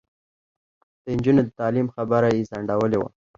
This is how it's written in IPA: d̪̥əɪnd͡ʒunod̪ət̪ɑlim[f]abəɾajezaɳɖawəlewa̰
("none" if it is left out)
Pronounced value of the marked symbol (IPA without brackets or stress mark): x